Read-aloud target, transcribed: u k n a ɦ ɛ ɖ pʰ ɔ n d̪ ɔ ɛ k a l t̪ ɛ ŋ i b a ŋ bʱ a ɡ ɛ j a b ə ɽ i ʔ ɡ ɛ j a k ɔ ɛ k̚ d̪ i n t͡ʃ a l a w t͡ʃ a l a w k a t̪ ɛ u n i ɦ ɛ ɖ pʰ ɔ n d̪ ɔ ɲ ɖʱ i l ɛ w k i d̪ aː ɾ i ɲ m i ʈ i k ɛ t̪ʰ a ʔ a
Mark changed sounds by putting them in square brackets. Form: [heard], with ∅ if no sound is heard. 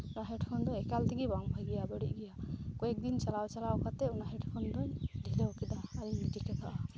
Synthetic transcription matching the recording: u [∅] n a ɦ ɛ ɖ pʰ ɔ n d̪ ɔ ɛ k a l t̪ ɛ [ɡ] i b a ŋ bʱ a ɡ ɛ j a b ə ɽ i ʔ ɡ ɛ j a k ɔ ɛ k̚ d̪ i n t͡ʃ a l a w t͡ʃ a l a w k a t̪ ɛ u n [a] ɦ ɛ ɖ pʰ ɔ n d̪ ɔ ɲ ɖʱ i l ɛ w k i d̪ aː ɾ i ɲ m i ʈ i k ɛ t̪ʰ a ʔ a